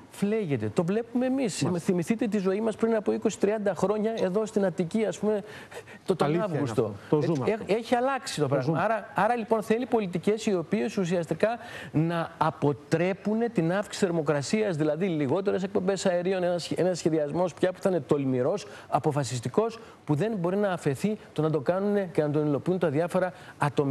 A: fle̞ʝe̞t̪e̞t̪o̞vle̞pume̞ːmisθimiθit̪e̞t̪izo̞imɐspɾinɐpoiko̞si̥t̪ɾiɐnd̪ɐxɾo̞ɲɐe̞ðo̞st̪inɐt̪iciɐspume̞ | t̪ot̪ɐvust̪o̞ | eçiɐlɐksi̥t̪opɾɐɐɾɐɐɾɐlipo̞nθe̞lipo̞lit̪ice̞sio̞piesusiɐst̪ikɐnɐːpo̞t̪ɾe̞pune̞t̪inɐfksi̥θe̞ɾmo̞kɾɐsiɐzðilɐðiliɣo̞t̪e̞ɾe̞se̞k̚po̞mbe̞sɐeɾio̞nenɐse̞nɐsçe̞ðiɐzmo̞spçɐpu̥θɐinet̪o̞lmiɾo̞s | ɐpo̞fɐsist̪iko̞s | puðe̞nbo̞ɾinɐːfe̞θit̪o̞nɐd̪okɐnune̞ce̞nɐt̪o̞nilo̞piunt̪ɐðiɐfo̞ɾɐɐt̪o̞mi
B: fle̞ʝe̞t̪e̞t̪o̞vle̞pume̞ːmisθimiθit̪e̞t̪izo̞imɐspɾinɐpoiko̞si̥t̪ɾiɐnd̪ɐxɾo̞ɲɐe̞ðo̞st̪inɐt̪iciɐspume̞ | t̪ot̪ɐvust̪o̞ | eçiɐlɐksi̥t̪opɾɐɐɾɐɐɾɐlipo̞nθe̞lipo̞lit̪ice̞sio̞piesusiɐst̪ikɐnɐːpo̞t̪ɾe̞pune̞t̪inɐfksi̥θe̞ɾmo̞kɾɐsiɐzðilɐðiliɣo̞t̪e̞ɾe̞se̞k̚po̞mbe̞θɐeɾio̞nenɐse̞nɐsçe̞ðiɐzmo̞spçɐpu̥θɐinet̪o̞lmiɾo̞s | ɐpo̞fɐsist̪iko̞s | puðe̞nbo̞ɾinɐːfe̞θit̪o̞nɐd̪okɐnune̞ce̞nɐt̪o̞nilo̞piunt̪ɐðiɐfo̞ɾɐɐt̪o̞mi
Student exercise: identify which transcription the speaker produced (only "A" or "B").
A